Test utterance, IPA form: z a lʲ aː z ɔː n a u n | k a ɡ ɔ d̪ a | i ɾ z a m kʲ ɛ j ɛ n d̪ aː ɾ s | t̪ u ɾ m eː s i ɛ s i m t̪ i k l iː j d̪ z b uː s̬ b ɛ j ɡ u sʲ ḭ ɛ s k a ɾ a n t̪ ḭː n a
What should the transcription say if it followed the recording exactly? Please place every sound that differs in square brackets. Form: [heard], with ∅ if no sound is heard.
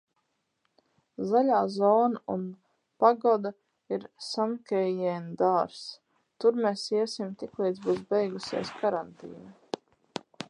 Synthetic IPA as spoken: z a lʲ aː z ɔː n a u n | [p] a ɡ ɔ d̪ a | i ɾ [s] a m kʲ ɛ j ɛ n d̪ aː ɾ s | t̪ u ɾ m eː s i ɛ s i m t̪ i k l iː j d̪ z b uː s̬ b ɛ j ɡ u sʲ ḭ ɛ s k a ɾ a n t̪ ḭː n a